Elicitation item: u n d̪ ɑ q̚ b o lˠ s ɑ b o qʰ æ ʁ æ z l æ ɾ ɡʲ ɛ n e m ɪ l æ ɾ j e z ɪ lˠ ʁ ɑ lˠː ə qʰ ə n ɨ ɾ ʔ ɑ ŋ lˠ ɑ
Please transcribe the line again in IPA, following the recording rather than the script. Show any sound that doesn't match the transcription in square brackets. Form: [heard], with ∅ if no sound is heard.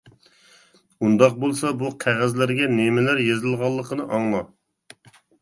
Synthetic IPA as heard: u n d̪ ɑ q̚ b o lˠ s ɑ b [u] qʰ æ ʁ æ z l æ ɾ ɡʲ ɛ n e m ɪ l æ ɾ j e z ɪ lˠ ʁ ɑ lˠː ə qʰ ə n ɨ [∅] ʔ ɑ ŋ lˠ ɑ